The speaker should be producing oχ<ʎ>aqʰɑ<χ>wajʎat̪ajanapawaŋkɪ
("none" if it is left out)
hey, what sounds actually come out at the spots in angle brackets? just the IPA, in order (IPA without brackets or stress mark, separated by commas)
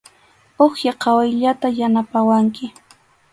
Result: j, none